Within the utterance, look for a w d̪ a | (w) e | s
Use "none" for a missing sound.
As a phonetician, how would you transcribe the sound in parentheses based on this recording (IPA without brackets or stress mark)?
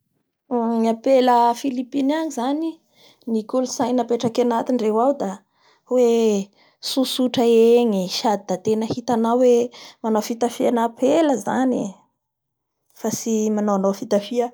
w